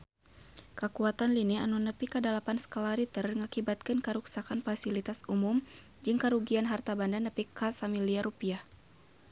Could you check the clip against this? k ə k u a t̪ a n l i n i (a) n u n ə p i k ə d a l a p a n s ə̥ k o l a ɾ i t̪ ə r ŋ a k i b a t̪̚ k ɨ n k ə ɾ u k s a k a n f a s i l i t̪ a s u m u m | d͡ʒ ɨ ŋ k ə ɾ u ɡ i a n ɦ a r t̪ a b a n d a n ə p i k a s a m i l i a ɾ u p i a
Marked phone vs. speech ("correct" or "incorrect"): correct